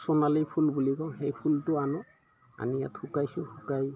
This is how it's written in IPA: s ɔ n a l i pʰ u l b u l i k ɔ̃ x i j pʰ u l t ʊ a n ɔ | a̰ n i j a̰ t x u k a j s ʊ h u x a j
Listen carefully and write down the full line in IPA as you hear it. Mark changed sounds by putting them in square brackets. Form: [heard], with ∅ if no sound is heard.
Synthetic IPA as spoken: s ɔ n a l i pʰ u l b u l i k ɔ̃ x [e] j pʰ u l t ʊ a n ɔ | a̰ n i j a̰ t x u k a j s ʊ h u [k] a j

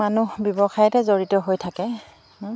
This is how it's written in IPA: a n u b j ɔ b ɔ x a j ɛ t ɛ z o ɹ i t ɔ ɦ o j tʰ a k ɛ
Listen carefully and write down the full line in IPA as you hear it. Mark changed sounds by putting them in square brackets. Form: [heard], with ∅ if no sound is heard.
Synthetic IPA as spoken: a n u b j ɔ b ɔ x a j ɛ t ɛ z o ɹ i t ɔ ɦ o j tʰ a k ɛ

